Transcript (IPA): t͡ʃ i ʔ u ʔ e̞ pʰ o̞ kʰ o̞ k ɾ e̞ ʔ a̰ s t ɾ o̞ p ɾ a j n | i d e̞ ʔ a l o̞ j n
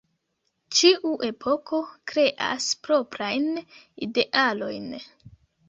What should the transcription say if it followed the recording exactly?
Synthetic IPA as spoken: t͡ʃ i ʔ u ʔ e̞ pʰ o̞ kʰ o̞ k ɾ e̞ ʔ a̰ s p ɾ o̞ p ɾ a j n | i d e̞ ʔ a l o̞ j n